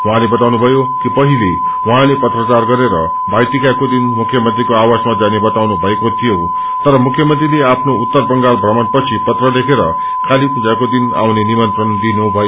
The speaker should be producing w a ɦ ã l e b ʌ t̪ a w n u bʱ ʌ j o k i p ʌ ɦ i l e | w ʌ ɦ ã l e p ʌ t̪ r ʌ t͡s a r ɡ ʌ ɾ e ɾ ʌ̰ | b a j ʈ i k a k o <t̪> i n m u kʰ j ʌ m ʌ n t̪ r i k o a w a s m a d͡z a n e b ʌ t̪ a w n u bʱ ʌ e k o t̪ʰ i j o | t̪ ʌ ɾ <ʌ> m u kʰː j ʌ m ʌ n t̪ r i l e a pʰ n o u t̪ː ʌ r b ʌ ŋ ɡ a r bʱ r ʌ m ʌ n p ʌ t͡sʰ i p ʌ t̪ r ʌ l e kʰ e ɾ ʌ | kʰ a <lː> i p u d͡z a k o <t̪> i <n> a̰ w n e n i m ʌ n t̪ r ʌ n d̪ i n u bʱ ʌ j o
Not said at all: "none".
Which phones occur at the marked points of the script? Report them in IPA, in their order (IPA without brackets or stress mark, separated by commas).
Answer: d̪, ʌ, l, d̪, n